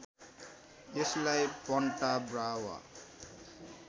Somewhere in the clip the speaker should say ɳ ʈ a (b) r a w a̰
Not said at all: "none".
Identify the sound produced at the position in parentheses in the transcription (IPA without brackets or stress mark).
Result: b